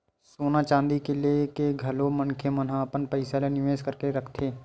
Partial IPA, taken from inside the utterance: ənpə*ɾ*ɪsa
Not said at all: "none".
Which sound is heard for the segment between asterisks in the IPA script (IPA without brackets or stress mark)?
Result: none